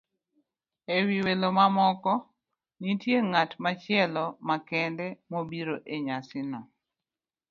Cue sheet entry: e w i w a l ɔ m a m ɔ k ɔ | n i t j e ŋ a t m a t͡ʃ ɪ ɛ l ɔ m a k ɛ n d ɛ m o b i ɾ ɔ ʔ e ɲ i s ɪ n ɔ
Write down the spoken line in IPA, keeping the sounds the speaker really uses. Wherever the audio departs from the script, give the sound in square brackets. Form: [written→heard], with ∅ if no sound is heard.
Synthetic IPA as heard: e w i w [a→e] l [ɔ→o] m a m ɔ k ɔ | n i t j e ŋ a t m a t͡ʃ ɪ ɛ l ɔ m a k ɛ n d ɛ m o b i ɾ [ɔ→o] ʔ e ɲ [i→a] s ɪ n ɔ